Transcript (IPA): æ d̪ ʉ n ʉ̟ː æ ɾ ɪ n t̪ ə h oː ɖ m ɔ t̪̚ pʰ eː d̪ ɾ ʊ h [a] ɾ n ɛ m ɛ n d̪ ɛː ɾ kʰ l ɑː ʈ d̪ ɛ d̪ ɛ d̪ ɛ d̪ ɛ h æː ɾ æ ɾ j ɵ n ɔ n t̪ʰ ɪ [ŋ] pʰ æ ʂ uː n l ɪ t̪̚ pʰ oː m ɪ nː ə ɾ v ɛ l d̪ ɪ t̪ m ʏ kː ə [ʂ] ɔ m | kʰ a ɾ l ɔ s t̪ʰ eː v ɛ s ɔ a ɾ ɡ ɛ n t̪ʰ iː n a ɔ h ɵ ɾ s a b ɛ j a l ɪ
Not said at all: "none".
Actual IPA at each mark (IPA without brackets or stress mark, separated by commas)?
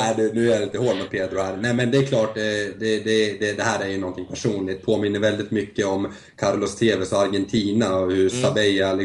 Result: æ, ŋ, none